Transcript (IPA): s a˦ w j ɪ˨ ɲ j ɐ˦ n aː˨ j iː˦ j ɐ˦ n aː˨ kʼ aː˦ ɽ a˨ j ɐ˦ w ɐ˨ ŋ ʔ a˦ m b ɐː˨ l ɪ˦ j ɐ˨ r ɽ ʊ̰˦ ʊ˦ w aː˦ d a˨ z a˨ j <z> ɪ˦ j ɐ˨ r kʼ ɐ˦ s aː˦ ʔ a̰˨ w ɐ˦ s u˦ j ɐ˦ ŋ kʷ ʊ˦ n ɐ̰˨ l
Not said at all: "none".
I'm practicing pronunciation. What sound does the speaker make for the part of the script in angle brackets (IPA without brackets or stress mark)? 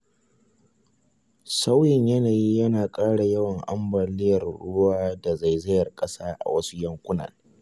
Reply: z